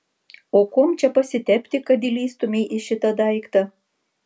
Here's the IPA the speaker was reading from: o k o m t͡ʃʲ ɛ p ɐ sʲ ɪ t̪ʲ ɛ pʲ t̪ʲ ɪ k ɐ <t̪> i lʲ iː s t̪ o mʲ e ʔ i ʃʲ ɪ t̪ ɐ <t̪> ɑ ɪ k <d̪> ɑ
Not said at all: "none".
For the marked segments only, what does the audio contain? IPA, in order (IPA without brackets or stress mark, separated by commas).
d̪, d̪, t̪